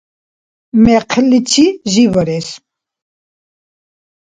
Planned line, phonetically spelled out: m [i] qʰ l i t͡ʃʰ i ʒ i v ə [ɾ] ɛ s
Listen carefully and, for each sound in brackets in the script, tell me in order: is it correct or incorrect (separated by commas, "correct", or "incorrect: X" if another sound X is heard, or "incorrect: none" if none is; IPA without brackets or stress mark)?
incorrect: ɛ, correct